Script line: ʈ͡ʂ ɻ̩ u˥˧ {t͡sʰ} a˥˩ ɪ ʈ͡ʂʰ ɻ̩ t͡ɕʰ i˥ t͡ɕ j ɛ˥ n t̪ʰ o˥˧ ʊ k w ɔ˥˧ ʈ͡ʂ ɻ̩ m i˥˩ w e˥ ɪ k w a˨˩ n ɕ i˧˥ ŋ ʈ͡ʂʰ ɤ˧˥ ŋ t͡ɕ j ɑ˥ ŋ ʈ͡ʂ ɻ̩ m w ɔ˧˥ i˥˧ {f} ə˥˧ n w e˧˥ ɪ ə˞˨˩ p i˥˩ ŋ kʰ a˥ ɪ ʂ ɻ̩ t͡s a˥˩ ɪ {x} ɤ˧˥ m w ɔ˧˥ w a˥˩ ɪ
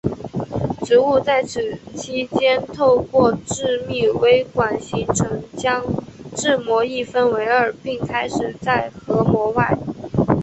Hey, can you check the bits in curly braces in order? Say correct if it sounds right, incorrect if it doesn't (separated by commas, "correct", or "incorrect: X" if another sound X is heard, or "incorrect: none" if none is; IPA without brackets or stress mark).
incorrect: t͡s, correct, correct